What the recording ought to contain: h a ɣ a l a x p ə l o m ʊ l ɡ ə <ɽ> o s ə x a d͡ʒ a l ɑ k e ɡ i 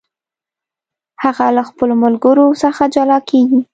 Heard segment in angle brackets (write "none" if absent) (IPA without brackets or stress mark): ɾ